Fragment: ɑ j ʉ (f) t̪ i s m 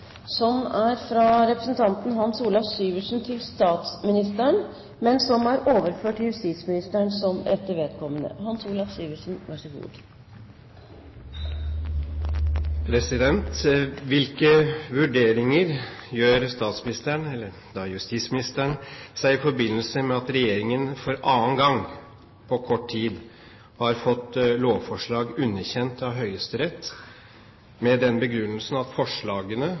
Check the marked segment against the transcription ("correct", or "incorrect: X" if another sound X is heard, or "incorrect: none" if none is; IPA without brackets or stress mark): incorrect: s